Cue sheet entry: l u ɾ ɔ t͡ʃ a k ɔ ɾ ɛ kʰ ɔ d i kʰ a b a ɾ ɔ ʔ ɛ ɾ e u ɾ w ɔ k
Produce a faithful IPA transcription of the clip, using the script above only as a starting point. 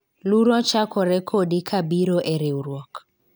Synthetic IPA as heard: l u ɾ ɔ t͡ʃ a k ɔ ɾ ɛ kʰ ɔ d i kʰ a b i ɾ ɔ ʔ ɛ ɾ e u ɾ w ɔ k